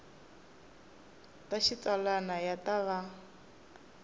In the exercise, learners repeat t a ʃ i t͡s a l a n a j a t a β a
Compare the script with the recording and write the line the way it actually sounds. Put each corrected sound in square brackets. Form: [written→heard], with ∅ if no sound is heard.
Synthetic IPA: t a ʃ i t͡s a l a n a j a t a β a

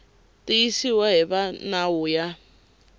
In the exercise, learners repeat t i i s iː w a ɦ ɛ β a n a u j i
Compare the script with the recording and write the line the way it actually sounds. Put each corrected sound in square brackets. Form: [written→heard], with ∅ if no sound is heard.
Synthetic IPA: t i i s [iː→i] w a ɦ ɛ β a n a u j [i→a]

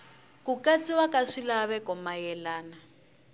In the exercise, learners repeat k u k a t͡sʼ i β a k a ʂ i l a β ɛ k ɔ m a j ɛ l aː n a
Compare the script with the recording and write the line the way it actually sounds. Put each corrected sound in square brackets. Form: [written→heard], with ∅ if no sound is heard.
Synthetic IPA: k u k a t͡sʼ i [β→w] a k a ʂ i l a β ɛ k ɔ m a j ɛ l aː n a

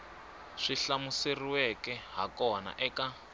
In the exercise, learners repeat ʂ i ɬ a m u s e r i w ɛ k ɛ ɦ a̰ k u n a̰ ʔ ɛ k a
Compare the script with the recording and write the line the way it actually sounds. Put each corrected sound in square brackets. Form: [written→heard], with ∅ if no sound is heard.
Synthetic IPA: ʂ i ɬ a m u s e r i w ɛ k ɛ ɦ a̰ k [u→ɔ] n a̰ ʔ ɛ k a

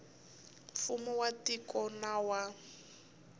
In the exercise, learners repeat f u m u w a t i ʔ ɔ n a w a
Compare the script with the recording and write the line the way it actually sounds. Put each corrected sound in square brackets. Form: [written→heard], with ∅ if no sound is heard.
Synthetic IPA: f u m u w a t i [ʔ→k] ɔ n a w a

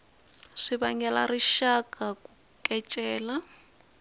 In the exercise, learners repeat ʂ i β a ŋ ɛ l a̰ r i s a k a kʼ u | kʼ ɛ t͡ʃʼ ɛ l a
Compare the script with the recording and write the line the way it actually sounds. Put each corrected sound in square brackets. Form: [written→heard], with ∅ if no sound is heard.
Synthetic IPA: ʂ i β a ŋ ɛ l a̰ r i [s→ʃ] a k a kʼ u | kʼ ɛ t͡ʃʼ [ɛ→ɛː] l a

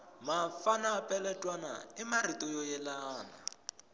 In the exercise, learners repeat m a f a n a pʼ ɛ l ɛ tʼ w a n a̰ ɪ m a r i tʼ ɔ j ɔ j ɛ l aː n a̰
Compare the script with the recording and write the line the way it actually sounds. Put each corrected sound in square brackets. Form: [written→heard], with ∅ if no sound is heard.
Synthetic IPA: m a f a n a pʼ ɛ l ɛ tʼ w a n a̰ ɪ m a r i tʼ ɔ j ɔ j ɛ l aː n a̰

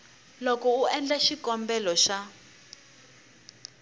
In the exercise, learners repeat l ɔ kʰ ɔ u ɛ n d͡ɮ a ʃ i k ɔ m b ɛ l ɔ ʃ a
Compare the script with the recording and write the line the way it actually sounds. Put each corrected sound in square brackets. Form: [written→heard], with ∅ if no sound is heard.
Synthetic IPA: l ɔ [kʰ→k] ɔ u ɛ n d͡ɮ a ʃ i k ɔ m b ɛ l ɔ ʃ a

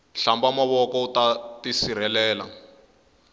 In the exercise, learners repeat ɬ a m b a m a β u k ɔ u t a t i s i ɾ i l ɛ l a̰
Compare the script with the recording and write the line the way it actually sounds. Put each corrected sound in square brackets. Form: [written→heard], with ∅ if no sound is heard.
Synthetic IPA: ɬ a m b a m a β [u→ɔ] k ɔ u t a t i s i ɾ [i→ɛ] l [ɛ→ɛː] l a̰

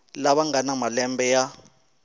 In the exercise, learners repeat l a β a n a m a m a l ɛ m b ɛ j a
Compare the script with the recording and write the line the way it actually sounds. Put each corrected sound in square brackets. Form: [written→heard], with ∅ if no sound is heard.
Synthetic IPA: l a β a [n→ŋ] a [m→n] a m a l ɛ m b ɛ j a

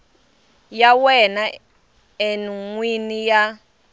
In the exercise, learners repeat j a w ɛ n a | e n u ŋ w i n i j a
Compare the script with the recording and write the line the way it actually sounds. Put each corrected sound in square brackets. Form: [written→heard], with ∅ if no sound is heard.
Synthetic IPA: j a w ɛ n a | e n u ŋ w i n i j a

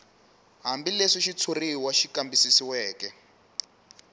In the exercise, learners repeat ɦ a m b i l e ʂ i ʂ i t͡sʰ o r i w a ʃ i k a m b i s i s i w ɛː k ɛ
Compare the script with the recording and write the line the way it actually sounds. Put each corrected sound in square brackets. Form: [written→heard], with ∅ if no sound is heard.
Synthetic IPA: ɦ a m b i l e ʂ i [ʂ→ʃ] i t͡sʰ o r i w a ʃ i k a m b i s i s i w ɛː k ɛ

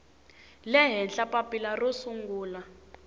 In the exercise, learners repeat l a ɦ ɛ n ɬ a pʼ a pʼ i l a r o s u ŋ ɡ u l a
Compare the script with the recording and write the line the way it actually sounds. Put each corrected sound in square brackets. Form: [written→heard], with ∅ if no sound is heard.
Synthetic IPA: l [a→ɛ] ɦ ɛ n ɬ a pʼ a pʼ i l a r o s u ŋ ɡ [u→uː] l a

